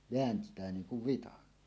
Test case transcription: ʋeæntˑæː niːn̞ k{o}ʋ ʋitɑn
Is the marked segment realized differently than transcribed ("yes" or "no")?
yes